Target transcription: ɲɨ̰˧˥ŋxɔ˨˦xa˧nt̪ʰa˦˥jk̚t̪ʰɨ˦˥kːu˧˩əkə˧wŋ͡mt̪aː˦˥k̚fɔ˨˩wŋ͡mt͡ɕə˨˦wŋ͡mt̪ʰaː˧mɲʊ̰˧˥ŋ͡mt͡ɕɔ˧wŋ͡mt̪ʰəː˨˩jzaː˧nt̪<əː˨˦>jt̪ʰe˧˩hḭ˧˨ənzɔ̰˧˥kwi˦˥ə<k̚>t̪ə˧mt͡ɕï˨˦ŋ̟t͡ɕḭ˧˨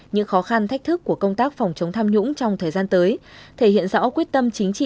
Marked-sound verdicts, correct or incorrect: correct, incorrect: t̚

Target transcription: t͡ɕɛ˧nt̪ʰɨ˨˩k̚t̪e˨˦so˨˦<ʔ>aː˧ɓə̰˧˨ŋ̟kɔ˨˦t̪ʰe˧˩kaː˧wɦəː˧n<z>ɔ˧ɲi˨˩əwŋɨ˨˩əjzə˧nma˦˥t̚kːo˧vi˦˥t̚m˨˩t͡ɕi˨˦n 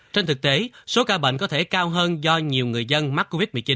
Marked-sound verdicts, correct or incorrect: incorrect: k, correct

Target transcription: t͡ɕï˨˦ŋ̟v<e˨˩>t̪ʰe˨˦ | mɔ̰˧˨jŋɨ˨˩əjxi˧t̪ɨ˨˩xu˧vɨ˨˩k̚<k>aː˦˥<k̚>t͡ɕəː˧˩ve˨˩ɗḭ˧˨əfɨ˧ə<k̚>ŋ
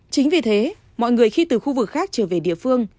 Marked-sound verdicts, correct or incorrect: incorrect: i˨˩, incorrect: x, correct, incorrect: none

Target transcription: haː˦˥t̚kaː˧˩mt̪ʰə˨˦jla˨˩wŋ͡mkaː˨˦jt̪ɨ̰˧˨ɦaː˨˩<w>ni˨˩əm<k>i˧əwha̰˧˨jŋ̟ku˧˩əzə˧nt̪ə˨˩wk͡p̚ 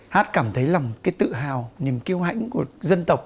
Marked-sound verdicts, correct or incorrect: correct, correct

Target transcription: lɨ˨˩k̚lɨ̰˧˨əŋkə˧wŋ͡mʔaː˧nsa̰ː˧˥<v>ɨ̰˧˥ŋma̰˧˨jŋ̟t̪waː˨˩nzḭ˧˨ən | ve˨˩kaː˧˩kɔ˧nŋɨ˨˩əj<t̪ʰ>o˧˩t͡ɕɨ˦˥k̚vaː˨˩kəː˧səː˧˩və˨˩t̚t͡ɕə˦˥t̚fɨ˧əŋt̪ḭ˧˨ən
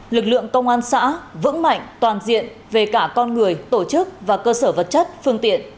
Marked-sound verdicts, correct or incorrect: correct, incorrect: t̪

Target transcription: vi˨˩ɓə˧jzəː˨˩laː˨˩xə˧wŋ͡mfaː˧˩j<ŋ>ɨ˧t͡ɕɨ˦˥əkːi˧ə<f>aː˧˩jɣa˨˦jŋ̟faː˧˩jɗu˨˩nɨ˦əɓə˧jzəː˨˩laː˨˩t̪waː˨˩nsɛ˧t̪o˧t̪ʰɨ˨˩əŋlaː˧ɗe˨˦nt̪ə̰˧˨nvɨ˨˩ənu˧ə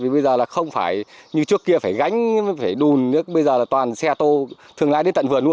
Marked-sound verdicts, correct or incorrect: incorrect: ɲ, correct

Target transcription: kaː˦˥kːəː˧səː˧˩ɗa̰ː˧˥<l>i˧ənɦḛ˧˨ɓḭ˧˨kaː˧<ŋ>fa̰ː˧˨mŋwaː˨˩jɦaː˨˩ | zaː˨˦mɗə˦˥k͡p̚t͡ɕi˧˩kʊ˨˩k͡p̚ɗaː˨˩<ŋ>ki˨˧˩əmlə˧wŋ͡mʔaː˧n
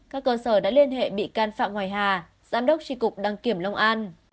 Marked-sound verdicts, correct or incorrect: correct, incorrect: n, correct

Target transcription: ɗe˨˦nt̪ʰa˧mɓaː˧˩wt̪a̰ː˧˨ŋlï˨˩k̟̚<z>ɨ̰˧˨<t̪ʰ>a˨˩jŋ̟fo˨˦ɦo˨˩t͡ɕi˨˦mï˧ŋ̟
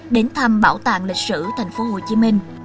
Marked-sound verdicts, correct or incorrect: incorrect: s, correct

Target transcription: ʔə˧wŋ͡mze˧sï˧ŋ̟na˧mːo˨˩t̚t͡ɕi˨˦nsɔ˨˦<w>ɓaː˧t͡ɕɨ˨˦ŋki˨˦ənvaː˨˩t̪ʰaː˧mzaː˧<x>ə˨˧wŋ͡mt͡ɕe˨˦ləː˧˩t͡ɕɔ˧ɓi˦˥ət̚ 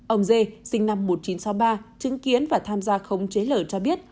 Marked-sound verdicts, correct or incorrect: correct, correct

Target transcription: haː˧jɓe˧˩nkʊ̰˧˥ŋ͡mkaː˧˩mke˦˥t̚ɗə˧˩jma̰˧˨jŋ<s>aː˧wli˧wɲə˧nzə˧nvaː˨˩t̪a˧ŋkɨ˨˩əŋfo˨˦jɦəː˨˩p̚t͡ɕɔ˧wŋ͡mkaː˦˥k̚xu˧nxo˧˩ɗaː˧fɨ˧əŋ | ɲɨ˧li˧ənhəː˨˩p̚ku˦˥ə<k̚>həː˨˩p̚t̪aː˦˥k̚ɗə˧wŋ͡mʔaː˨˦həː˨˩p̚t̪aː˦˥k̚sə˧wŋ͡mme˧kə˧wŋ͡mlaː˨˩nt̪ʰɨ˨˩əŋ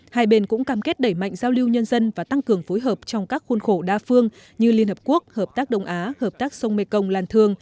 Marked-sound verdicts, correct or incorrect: incorrect: z, correct

